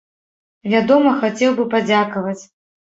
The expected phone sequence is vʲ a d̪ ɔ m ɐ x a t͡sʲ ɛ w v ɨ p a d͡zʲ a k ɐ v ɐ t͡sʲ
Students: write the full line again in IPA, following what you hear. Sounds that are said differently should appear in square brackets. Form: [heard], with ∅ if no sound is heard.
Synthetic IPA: vʲ a d̪ ɔ m ɐ x a t͡sʲ ɛ w [b] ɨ p a d͡zʲ a k ɐ v ɐ t͡sʲ